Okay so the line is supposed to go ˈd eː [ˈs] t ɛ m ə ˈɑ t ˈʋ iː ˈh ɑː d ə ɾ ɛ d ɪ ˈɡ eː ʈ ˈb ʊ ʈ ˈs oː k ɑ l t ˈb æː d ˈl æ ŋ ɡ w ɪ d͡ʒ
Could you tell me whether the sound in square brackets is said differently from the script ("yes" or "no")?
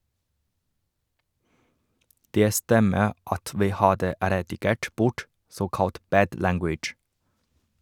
no